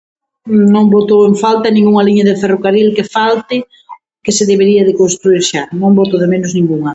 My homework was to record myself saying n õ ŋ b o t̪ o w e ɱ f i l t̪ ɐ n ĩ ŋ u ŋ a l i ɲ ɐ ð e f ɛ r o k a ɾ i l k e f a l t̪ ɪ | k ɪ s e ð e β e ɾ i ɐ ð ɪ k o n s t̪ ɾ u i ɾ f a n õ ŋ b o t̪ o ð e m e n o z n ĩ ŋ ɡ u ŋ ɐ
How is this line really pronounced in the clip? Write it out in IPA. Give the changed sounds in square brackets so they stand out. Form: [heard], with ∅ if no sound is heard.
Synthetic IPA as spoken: n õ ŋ b o t̪ o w e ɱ f [a] l t̪ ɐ n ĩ ŋ u ŋ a l i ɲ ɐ ð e f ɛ r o k a ɾ i l k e f a l t̪ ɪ | k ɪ s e ð e β e ɾ i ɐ ð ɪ k o n s t̪ ɾ u i ɾ [ʃ] a n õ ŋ b o t̪ o ð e m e n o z n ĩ ŋ ɡ u ŋ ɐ